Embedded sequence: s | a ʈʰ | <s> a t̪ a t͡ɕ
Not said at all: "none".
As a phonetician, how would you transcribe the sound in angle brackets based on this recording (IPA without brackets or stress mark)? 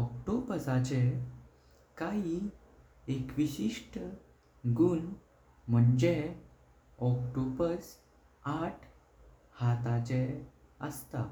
h